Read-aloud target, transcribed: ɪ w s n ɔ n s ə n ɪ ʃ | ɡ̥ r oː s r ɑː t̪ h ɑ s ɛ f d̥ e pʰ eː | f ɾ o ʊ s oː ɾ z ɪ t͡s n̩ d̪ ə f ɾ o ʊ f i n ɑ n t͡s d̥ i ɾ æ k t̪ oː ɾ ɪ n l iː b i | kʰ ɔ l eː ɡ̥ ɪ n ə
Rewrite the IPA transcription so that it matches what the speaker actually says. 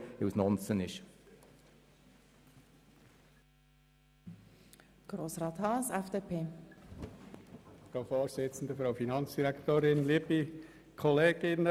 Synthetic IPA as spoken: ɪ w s n ɔ n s ə n ɪ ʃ | ɡ̥ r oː s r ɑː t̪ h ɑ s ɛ f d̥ e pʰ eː | f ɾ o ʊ f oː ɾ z ɪ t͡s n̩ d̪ ə f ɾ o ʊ f i n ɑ n t͡s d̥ i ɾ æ k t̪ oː ɾ ɪ n l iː b i | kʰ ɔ l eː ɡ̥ ɪ n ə